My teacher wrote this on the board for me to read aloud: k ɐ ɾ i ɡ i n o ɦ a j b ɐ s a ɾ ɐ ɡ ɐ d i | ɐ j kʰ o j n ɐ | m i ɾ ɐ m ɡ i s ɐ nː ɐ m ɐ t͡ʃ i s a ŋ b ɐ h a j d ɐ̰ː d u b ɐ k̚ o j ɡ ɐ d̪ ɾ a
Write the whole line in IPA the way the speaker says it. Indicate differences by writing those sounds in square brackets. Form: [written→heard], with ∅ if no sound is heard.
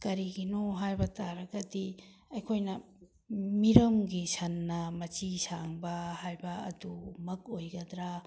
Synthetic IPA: k ɐ ɾ i ɡ i n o ɦ a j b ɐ [s→t] a ɾ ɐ ɡ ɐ d i | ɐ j kʰ o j n ɐ | m i ɾ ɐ m ɡ i s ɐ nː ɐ m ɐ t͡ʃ i s a ŋ b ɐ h a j [d→b] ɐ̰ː d u [b→m] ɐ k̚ o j ɡ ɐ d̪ ɾ a